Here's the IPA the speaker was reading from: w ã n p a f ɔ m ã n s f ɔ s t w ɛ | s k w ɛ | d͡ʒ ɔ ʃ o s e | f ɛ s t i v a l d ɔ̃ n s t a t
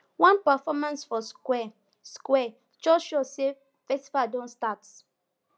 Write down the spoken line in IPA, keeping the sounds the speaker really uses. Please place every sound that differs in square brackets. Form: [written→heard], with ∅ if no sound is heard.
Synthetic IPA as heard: w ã n p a f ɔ m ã n s f ɔ s [t→k] w ɛ | s k w ɛ | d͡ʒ ɔ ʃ o s e | f ɛ s t i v a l d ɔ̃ n s t a t